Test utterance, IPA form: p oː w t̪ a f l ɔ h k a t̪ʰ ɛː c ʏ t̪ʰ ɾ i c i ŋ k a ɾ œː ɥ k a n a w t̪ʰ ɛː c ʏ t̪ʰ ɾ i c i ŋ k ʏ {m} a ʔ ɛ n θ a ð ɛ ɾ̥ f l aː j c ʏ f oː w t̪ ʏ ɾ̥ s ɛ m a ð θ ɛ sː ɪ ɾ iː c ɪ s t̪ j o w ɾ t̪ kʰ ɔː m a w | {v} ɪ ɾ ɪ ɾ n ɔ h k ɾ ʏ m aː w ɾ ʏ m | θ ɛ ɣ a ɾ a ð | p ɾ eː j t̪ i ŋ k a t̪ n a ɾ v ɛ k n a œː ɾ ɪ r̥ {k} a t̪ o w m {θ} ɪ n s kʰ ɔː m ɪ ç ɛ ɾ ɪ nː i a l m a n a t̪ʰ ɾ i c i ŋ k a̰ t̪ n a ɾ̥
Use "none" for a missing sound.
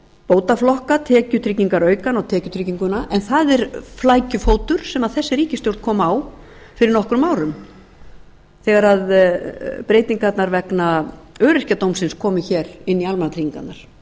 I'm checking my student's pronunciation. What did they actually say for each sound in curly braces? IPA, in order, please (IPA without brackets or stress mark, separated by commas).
n, f, c, s